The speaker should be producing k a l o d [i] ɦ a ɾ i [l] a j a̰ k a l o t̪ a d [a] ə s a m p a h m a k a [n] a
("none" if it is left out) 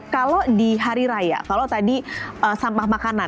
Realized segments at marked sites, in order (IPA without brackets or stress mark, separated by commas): i, ɾ, i, n